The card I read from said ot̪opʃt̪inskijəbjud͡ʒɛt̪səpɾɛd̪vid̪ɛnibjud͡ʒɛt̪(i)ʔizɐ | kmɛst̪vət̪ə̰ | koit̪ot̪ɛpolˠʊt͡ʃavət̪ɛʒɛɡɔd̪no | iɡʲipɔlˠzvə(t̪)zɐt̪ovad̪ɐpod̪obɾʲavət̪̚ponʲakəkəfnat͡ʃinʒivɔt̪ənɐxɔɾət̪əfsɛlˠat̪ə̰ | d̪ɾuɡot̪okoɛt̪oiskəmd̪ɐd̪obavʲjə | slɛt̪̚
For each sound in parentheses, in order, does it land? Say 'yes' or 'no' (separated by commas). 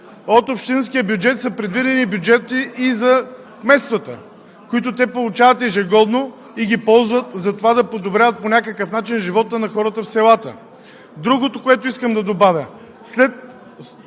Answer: yes, yes